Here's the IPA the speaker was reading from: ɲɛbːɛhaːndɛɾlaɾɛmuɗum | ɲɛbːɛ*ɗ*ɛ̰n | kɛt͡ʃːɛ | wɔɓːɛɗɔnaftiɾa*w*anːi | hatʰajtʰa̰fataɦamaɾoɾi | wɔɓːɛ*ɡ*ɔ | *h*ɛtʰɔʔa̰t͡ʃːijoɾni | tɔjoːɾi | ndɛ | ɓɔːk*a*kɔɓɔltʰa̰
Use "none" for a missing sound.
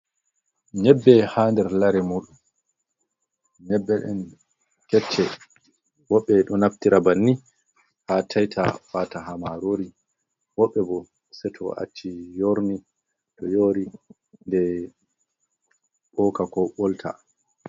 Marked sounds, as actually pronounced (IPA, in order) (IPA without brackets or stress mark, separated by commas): ɗ, b, b, s, a